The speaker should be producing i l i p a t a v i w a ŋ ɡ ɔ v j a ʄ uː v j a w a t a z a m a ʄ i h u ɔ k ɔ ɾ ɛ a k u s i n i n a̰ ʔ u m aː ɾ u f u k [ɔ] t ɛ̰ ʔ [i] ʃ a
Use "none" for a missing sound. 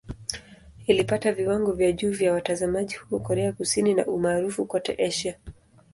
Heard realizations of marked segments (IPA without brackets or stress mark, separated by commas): ɔ, ɛ